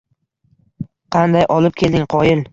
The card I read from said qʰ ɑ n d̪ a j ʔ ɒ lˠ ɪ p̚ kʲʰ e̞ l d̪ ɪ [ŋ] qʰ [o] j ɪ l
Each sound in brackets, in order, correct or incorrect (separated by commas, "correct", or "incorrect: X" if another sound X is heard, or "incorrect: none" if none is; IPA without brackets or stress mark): correct, incorrect: ɒ